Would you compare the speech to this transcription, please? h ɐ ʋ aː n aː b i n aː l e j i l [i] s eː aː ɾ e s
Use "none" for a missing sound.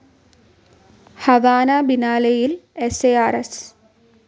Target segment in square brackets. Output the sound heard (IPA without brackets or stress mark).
e